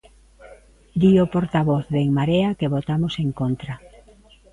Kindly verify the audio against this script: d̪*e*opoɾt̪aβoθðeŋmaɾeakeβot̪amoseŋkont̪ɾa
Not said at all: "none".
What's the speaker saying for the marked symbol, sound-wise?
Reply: i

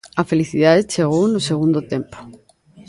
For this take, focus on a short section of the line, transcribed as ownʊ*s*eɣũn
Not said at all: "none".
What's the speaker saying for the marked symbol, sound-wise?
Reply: s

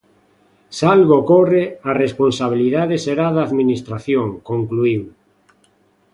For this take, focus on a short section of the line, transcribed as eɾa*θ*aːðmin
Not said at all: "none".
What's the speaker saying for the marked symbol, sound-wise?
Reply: ð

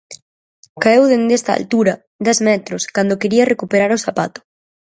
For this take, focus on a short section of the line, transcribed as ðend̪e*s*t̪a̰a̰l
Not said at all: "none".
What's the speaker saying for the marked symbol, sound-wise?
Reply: s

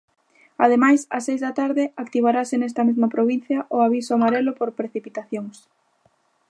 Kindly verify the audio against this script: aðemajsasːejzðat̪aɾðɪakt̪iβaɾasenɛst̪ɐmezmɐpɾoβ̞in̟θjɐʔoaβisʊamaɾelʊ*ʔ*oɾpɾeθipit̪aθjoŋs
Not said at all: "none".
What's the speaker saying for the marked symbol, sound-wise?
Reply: p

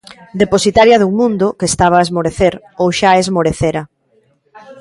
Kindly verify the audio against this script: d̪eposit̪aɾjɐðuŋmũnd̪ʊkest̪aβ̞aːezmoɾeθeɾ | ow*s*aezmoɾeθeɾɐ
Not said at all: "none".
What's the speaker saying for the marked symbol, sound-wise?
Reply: ʃ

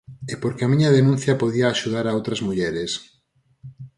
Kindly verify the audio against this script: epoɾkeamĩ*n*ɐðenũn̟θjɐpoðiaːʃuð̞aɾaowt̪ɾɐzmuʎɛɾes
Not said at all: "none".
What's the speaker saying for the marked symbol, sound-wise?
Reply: ɲ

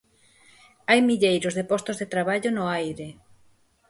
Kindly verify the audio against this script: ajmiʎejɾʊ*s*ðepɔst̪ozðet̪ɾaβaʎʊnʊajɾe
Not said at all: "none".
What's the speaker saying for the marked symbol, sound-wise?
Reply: z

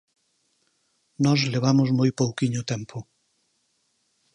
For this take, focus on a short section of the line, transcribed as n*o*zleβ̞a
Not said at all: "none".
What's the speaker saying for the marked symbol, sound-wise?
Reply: ɔ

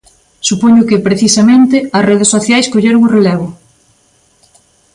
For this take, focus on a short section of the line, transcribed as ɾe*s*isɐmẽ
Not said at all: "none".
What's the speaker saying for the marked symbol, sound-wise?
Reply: θ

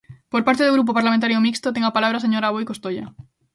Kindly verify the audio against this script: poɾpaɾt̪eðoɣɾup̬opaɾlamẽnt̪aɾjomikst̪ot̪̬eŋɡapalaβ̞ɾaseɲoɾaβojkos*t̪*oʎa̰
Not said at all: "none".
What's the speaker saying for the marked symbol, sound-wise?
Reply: t̪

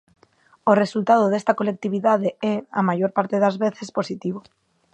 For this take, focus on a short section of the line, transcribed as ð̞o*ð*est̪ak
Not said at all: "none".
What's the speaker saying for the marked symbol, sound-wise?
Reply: ð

